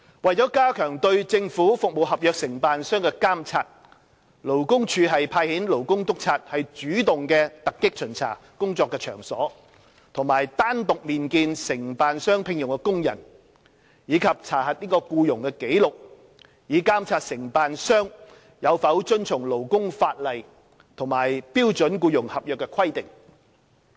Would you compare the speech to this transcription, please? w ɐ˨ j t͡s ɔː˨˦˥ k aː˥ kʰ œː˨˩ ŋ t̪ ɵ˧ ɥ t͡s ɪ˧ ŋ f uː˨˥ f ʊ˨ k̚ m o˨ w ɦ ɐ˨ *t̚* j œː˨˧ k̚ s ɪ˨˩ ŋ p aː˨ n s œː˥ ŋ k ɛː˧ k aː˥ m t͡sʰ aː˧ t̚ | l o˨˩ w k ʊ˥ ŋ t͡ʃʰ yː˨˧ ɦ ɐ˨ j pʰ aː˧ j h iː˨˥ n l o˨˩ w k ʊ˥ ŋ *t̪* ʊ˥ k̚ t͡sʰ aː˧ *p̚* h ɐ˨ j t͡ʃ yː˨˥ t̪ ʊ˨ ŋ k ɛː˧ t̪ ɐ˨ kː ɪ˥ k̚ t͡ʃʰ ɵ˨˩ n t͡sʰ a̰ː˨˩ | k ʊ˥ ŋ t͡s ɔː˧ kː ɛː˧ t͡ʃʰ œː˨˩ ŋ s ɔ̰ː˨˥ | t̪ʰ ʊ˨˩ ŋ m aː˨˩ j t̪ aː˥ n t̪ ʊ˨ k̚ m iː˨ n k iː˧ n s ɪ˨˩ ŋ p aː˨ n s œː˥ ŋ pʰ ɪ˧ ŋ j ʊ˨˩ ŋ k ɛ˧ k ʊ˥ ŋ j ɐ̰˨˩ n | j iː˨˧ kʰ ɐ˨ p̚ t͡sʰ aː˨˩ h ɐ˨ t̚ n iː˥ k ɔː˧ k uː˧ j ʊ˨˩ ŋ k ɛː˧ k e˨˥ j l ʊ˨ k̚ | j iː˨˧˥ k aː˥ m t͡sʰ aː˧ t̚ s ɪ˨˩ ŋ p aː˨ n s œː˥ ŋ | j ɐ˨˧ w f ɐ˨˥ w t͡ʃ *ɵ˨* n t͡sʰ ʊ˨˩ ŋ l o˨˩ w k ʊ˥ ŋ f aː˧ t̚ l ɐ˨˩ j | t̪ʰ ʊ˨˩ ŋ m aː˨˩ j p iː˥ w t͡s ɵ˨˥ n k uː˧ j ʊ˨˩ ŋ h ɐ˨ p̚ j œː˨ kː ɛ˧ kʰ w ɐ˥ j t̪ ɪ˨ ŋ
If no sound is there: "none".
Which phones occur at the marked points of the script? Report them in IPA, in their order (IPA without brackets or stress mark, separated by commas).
p̚, t̪, t̚, ɵ˥